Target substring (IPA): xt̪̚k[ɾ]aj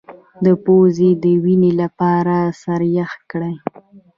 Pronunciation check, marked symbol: incorrect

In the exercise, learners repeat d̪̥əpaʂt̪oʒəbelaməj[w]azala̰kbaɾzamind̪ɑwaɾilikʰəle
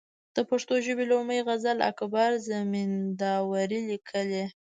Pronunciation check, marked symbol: incorrect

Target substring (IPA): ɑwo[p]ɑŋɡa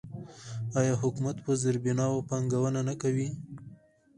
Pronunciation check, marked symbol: correct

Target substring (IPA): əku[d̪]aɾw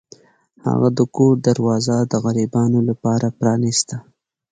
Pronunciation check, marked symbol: correct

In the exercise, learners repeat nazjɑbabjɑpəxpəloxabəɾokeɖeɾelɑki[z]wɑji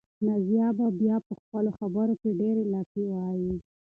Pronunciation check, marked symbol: incorrect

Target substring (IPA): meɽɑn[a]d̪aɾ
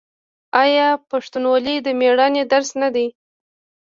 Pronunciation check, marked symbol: incorrect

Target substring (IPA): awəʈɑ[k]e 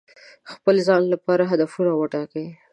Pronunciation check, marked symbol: correct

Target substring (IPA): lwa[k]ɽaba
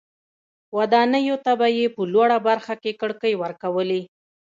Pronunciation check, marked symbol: incorrect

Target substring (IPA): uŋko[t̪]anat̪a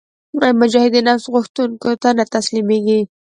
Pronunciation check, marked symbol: correct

